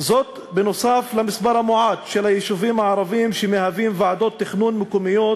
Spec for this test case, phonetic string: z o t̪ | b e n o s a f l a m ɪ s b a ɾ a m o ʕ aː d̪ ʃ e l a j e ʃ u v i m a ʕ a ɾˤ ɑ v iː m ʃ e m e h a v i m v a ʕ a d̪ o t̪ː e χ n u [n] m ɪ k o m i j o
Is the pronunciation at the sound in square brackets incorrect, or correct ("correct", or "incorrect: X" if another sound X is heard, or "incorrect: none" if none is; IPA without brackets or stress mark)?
correct